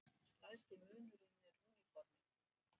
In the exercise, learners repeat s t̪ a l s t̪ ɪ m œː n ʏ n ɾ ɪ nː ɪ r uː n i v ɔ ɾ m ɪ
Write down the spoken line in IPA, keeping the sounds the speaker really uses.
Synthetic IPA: s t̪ a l s t̪ ɪ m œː n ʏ ɾ ɪ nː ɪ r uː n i f ɔ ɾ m ɪ